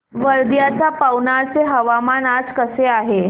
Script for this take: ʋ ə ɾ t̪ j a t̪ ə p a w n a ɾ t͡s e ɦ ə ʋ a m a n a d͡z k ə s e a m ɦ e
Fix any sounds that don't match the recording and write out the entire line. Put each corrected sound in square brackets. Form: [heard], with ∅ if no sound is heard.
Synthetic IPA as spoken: ʋ ə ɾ [d̪] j a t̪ [a] p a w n a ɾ t͡s e ɦ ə ʋ a m a n a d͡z k ə s e a [∅] ɦ e